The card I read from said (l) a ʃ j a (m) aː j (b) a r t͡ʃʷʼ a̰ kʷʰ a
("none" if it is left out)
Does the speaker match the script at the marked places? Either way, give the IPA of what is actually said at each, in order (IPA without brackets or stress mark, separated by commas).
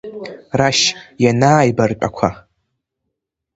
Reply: r, n, b